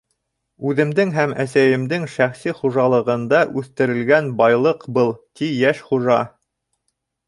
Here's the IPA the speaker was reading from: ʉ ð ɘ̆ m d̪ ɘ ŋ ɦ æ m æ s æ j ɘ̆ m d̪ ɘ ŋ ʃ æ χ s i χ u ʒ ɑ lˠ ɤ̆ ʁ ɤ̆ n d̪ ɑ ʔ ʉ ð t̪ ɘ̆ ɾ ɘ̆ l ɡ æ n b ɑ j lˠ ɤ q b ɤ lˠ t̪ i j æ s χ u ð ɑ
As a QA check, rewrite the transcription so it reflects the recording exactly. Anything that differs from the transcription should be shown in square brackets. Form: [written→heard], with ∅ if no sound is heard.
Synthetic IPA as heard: ʉ ð ɘ̆ m d̪ ɘ ŋ ɦ æ m æ s æ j ɘ̆ m d̪ ɘ ŋ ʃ æ χ s i χ u ʒ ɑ lˠ ɤ̆ ʁ ɤ̆ n d̪ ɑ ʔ ʉ [ð→θ] t̪ ɘ̆ ɾ ɘ̆ l ɡ æ n b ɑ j lˠ ɤ q b ɤ lˠ t̪ i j æ [s→ʃ] χ u [ð→ʒ] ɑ

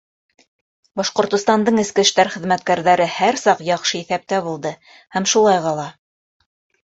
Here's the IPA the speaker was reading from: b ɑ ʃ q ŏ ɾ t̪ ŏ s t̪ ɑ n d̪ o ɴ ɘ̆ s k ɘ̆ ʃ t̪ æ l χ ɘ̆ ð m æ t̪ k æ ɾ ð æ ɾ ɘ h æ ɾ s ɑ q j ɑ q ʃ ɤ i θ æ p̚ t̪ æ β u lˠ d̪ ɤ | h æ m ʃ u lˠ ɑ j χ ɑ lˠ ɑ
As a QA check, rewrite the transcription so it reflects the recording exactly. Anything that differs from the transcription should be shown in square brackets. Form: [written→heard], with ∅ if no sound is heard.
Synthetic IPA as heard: b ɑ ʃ q ŏ ɾ t̪ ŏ s t̪ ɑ n d̪ [o→ɤ] ɴ ɘ̆ s k ɘ̆ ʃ t̪ æ [l→ɾ] χ ɘ̆ ð m æ t̪ k æ ɾ ð æ ɾ ɘ h æ ɾ s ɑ q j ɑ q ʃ ɤ i θ æ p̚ t̪ æ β u lˠ d̪ ɤ | h æ m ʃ u lˠ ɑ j [χ→ʁ] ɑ lˠ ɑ

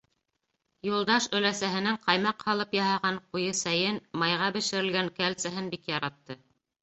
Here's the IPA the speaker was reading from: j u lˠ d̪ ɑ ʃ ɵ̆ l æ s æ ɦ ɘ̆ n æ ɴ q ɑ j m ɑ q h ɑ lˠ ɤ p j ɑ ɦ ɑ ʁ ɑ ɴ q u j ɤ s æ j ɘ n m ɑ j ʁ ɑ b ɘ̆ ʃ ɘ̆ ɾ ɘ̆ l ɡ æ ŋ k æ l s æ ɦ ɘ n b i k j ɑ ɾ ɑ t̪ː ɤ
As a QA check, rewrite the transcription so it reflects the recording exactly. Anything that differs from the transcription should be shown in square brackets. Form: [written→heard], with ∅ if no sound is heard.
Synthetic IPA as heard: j u lˠ d̪ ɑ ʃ ɵ̆ l æ s æ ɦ ɘ̆ n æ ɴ q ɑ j m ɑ q h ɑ lˠ ɤ p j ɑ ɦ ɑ ʁ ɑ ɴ q u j ɤ s æ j ɘ n m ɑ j ʁ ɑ b ɘ̆ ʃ ɘ̆ ɾ ɘ̆ l ɡ æ ŋ k æ l s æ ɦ ɘ n b i k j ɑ ɾ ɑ t̪ː ɤ

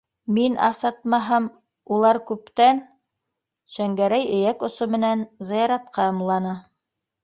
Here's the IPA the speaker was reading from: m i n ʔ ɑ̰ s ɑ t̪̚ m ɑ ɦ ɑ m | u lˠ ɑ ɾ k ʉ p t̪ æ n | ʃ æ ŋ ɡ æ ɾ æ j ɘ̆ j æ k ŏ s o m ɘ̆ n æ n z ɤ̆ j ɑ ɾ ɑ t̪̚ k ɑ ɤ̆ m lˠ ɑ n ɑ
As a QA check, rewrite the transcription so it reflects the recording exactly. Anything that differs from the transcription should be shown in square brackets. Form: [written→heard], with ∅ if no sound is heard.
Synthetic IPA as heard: m i n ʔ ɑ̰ s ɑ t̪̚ m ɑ ɦ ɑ m | u lˠ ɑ ɾ k ʉ p t̪ æ n | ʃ æ ŋ ɡ æ ɾ æ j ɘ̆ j æ k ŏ s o m ɘ̆ n æ n z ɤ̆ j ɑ ɾ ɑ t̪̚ [k→q] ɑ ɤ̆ m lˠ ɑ n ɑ

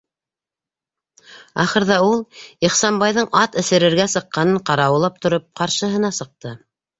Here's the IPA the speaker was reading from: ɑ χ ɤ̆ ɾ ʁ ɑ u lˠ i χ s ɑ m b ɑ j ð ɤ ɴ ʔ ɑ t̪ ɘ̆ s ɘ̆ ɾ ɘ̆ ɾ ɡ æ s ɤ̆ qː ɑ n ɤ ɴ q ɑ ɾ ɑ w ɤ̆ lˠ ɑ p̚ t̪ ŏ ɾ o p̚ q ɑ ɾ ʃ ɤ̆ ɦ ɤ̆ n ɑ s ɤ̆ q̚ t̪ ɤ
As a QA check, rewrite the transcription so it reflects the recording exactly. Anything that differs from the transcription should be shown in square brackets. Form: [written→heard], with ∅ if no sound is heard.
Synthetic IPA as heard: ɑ χ ɤ̆ ɾ [ʁ→ð] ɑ u lˠ i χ s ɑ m b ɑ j ð ɤ ɴ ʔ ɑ t̪ ɘ̆ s ɘ̆ ɾ ɘ̆ ɾ ɡ æ s ɤ̆ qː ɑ n ɤ ɴ q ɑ ɾ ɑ w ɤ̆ lˠ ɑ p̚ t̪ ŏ ɾ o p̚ q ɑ ɾ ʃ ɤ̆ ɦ ɤ̆ n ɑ s ɤ̆ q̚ t̪ ɤ

